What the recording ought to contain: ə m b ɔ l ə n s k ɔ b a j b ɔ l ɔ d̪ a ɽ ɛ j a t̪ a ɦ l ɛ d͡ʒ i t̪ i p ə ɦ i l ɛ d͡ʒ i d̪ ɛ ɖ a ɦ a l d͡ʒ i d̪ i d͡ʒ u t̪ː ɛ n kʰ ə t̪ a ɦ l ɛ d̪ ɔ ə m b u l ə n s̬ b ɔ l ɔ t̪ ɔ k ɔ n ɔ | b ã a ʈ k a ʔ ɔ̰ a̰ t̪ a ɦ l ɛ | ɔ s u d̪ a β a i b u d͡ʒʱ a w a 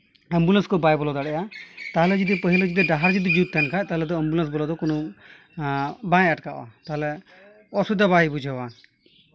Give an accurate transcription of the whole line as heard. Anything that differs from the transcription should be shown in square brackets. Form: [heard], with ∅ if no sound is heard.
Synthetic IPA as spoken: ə m b [u] l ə n s k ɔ b a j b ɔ l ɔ d̪ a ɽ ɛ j a t̪ a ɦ l ɛ d͡ʒ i [d̪] i p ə ɦ i l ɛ d͡ʒ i d̪ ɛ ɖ a ɦ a [ɾ] d͡ʒ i d̪ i d͡ʒ u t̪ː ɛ n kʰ [a] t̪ a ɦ l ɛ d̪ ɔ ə m b u l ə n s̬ b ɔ l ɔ [d̪] ɔ k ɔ n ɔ | b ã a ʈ k a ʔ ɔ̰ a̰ t̪ a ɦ l ɛ | ɔ s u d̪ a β a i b u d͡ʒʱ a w a

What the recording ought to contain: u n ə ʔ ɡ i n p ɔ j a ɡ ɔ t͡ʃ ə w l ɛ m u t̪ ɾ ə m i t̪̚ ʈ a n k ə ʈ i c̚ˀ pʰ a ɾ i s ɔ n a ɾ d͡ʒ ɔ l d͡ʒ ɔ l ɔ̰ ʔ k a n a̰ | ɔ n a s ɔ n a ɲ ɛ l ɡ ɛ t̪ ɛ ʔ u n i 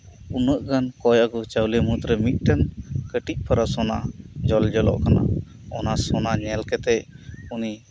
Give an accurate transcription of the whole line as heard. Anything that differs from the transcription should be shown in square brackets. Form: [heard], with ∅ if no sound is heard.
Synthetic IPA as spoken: u n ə ʔ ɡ [a] n [k] ɔ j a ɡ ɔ t͡ʃ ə w l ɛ m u t̪ ɾ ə m i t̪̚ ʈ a n k ə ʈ i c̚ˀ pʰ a ɾ [a] s ɔ n a [∅] d͡ʒ ɔ l d͡ʒ ɔ l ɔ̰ ʔ k a n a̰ | ɔ n a s ɔ n a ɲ ɛ l [k] ɛ t̪ ɛ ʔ u n i

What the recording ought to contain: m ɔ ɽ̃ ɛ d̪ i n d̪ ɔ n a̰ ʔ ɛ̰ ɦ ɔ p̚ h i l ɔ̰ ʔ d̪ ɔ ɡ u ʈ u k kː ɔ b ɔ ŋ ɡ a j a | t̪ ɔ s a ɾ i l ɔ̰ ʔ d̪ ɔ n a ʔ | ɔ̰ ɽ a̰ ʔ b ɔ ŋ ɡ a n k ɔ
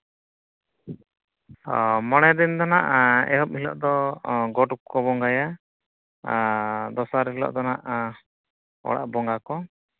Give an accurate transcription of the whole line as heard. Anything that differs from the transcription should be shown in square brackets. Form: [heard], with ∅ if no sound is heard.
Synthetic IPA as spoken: m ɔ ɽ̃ ɛ d̪ i n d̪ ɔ n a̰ ʔ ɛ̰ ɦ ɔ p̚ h i l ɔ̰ ʔ d̪ ɔ ɡ [ɔ] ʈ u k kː ɔ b ɔ ŋ ɡ a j a | [d̪] ɔ s a ɾ i l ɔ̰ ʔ d̪ ɔ n a ʔ | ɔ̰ ɽ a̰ ʔ b ɔ ŋ ɡ a [∅] k ɔ

